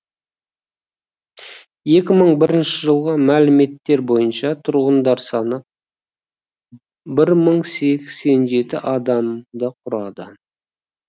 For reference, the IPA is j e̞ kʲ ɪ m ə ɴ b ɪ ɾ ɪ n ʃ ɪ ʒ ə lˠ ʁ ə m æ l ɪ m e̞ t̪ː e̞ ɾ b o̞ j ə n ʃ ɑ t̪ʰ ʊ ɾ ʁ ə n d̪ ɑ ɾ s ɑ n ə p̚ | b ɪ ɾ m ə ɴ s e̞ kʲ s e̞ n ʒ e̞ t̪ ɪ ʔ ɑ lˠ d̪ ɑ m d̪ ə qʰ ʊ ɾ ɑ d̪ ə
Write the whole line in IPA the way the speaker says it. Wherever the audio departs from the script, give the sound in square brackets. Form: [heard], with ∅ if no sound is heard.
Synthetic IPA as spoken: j e̞ kʲ ɪ m ə ɴ b ɪ ɾ ɪ n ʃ ɪ ʒ ə lˠ ʁ ə m æ l ɪ m e̞ t̪ː e̞ ɾ b o̞ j ə n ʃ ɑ t̪ʰ ʊ ɾ ʁ ə n d̪ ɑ ɾ s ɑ n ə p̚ | b ɪ ɾ m ə ɴ s e̞ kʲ s e̞ n ʒ e̞ t̪ ɪ ʔ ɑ [∅] d̪ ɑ m d̪ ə qʰ ʊ ɾ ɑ d̪ ə